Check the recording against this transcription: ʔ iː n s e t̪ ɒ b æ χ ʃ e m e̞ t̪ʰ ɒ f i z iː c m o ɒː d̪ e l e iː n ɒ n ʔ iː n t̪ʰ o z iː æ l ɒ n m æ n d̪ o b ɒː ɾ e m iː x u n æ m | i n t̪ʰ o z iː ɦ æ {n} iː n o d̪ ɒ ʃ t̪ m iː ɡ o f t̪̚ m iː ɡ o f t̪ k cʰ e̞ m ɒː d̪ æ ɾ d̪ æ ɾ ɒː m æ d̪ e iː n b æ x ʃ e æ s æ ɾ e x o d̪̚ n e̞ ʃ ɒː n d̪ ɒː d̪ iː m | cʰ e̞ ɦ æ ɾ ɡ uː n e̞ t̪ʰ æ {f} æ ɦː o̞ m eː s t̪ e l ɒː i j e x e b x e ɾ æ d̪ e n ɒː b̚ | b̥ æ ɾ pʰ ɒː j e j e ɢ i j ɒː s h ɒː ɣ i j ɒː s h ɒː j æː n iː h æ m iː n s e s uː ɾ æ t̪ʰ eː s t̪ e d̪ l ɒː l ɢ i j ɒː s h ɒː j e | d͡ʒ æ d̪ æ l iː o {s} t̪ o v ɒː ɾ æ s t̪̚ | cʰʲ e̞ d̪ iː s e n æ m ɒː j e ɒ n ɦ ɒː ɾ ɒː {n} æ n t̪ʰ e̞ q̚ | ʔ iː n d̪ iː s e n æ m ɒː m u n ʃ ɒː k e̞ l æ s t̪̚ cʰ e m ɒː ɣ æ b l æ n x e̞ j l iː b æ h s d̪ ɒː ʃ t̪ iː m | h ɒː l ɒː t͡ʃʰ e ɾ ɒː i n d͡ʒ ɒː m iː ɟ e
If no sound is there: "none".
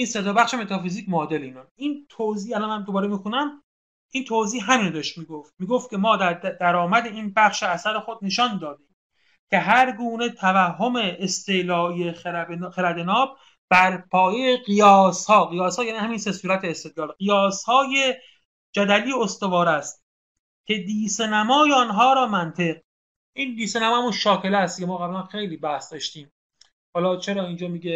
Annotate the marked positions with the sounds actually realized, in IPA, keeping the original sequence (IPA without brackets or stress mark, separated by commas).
m, v, s, m